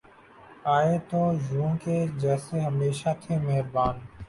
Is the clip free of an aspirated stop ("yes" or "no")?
no